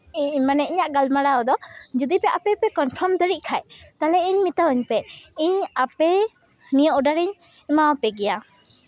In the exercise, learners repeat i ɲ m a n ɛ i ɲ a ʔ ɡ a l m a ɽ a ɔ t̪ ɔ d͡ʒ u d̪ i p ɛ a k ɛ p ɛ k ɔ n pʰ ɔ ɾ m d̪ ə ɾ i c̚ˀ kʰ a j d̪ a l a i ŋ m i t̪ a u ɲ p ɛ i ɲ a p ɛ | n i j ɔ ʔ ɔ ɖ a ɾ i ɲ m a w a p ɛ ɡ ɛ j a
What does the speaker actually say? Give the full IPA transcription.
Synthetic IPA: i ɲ m a n ɛ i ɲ a ʔ ɡ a l m a ɽ a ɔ d̪ ɔ d͡ʒ u d̪ i p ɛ a p ɛ p ɛ k ɔ n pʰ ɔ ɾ m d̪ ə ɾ i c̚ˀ kʰ a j t̪ a l ɛ i ɲ m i t̪ a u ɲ p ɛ i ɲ a p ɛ | n i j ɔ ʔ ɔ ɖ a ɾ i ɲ m a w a p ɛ ɡ ɛ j a